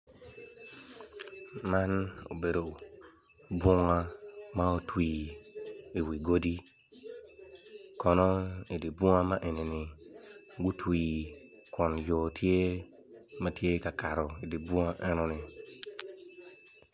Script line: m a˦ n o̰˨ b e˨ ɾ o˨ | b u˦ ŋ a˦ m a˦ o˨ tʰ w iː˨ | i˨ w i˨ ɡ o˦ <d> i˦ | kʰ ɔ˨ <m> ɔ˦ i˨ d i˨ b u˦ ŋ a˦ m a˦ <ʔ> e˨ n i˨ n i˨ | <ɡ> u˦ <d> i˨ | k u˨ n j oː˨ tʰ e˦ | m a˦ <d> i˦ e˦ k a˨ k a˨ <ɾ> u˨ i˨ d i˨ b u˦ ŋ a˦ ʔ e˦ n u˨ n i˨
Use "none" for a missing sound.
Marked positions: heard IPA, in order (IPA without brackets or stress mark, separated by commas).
d, n, ʔ, ɡ, t, t, ɾ